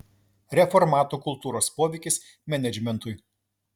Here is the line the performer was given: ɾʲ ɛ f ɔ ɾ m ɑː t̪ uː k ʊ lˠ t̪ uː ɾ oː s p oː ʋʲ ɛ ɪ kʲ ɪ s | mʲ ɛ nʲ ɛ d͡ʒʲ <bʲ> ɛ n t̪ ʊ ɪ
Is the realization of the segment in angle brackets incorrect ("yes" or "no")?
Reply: yes